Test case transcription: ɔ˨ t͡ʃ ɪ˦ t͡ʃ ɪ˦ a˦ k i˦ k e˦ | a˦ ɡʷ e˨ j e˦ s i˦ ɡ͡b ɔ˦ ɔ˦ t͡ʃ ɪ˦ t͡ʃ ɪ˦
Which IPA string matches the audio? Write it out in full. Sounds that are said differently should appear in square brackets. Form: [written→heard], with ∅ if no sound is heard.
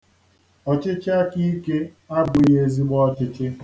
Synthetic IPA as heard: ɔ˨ t͡ʃ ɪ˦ t͡ʃ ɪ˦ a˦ k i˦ k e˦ | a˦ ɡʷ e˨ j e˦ [s→z] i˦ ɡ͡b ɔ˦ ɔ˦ t͡ʃ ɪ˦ t͡ʃ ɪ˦